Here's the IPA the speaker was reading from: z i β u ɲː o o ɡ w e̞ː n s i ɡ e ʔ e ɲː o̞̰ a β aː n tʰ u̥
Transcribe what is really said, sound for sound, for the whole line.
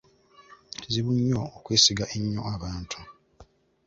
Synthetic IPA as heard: z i β u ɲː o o k w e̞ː s i ɡ a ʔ e ɲː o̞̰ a β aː n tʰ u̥